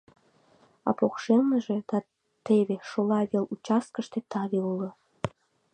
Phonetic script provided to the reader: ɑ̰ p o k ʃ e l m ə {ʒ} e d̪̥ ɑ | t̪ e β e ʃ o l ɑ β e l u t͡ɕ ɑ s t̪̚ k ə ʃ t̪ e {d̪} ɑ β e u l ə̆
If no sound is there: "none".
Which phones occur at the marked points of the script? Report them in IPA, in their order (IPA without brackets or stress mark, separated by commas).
ʒ, t̪